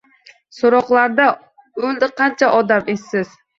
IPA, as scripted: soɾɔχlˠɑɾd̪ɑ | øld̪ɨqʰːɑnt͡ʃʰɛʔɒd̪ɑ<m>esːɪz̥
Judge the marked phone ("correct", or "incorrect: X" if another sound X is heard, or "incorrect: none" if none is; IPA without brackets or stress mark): correct